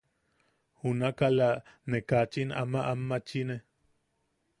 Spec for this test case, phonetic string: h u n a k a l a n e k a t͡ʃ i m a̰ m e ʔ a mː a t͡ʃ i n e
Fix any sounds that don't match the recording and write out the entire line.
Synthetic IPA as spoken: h u n a k a l a n e k a t͡ʃ i n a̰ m a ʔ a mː a t͡ʃ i n e